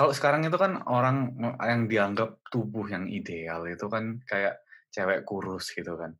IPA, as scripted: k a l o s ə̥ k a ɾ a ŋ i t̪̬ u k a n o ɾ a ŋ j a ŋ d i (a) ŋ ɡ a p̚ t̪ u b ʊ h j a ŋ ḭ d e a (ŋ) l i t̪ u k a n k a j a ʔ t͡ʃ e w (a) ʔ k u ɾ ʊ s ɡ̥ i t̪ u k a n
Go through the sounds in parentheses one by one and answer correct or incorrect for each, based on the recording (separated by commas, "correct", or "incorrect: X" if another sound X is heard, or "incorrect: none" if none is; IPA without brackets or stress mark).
correct, incorrect: none, incorrect: ɛ